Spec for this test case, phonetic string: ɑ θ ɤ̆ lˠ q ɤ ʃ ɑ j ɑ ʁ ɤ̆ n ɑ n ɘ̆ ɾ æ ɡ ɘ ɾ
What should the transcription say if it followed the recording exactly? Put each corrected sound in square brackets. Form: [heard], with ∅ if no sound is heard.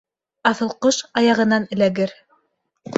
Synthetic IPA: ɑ θ ɤ̆ lˠ q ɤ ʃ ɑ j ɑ ʁ ɤ̆ n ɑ n ɘ̆ [l] æ ɡ ɘ ɾ

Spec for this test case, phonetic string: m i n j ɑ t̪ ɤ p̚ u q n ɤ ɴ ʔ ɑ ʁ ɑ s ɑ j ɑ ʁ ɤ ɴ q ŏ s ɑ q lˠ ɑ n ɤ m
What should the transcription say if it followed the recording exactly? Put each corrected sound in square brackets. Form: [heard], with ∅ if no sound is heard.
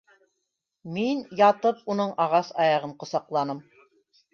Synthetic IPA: m i n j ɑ t̪ ɤ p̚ u [∅] n ɤ ɴ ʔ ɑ ʁ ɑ s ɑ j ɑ ʁ ɤ ɴ q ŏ s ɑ q lˠ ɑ n ɤ m

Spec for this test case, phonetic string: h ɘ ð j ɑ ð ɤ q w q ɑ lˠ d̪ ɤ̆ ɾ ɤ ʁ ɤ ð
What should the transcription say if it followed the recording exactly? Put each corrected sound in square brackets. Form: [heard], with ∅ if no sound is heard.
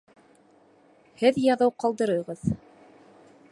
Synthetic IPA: h ɘ ð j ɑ ð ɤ [∅] w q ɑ lˠ d̪ ɤ̆ ɾ ɤ ʁ ɤ ð

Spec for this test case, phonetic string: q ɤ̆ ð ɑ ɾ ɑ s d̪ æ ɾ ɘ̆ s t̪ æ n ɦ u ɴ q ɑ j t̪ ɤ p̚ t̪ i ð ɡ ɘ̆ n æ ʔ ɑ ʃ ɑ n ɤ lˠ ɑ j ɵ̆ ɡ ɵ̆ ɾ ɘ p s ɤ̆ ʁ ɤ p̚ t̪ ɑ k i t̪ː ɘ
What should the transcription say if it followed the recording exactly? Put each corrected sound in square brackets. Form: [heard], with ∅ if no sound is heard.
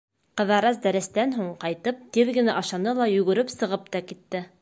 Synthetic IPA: q ɤ̆ ð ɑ ɾ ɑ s d̪ æ ɾ ɘ̆ s t̪ æ n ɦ u ɴ q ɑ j t̪ ɤ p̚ t̪ i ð ɡ ɘ̆ n æ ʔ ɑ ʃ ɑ n ɤ lˠ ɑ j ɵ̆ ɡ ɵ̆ ɾ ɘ p s ɤ̆ ʁ ɤ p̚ t̪ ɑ k i t̪ː ɘ

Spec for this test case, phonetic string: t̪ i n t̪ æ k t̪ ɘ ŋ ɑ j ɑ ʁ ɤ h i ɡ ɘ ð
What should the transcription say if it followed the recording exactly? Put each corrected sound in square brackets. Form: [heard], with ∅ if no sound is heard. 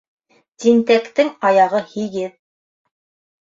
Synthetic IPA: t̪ i n t̪ æ k t̪ ɘ ŋ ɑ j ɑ ʁ ɤ h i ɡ ɘ ð

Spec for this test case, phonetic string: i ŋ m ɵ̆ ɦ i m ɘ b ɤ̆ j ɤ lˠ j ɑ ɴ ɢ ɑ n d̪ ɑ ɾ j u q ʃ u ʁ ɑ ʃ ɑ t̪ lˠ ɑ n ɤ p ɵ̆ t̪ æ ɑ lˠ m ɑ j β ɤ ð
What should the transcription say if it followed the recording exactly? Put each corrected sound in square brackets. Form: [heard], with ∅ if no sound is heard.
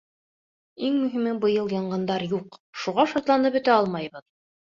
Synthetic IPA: i ŋ m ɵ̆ ɦ i m ɘ b ɤ̆ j ɤ lˠ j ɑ ɴ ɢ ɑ n d̪ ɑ ɾ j u q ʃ u ʁ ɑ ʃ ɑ t̪ lˠ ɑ n ɤ p ɵ̆ t̪ æ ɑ lˠ m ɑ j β ɤ ð

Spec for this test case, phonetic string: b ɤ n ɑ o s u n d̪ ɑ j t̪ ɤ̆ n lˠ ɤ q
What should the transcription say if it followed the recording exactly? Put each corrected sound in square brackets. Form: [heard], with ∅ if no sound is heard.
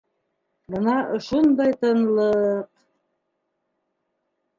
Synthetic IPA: b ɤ n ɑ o [ʃ] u n d̪ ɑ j t̪ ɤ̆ n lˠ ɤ q

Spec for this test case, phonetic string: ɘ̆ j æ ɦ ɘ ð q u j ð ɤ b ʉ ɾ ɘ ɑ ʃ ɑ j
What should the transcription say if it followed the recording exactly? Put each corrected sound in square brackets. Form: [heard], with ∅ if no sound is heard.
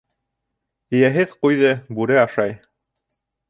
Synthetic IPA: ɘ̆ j æ ɦ ɘ ð q u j ð ɤ b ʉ ɾ ɘ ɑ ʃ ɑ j

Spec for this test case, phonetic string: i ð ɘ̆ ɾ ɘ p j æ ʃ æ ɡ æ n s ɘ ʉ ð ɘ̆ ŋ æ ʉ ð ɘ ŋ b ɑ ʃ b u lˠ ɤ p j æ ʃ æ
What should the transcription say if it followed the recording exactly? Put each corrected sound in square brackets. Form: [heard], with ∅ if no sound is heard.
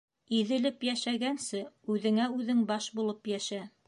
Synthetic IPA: i ð ɘ̆ [l] ɘ p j æ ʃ æ ɡ æ n s ɘ ʉ ð ɘ̆ ŋ æ ʉ ð ɘ ŋ b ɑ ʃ b u lˠ ɤ p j æ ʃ æ

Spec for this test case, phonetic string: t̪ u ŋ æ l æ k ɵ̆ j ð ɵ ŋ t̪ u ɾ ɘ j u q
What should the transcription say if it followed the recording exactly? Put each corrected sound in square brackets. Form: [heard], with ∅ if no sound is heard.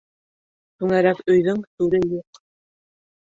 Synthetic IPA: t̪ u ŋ æ [ɾ] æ k ɵ̆ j ð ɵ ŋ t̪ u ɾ ɘ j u q

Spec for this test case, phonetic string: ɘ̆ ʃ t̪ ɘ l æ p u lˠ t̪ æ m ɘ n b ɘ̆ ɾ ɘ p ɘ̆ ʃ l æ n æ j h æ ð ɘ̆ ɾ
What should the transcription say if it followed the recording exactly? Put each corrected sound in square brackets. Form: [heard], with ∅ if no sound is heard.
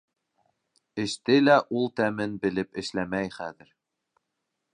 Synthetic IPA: ɘ̆ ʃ t̪ ɘ l æ [ʔ] u lˠ t̪ æ m ɘ n b ɘ̆ [l] ɘ p ɘ̆ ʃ l æ [m] æ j [χ] æ ð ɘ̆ ɾ

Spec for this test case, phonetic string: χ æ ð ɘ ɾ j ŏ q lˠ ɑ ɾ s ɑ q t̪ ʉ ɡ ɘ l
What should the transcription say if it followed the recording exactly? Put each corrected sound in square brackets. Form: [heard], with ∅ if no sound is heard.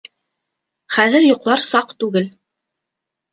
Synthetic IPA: χ æ ð ɘ ɾ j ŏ q lˠ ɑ ɾ s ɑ q t̪ ʉ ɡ ɘ l

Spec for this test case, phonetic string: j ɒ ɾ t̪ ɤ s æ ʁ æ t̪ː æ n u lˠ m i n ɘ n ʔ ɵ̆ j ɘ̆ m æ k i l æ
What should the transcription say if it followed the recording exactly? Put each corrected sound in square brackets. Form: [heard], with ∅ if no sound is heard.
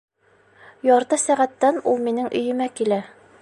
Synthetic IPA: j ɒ ɾ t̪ ɤ s æ ʁ æ t̪ː æ n u lˠ m i n ɘ [ŋ] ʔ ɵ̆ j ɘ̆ m æ k i l æ

